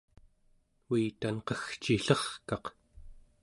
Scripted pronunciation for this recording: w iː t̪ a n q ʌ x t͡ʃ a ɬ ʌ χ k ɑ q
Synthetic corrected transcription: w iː t̪ a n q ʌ x t͡ʃ i ɬ ʌ χ k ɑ q